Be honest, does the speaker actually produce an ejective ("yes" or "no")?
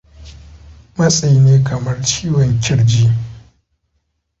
yes